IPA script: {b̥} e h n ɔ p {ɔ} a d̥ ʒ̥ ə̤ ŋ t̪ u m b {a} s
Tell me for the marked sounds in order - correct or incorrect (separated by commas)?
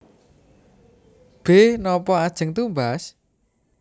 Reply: correct, correct, correct